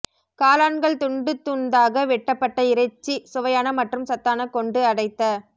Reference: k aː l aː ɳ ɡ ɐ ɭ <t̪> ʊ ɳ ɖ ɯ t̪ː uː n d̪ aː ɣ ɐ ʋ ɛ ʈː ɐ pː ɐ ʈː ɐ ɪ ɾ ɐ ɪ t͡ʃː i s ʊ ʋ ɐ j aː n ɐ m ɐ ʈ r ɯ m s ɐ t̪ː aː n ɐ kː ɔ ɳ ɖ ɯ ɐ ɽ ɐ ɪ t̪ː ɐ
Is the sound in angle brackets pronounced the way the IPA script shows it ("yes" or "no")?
yes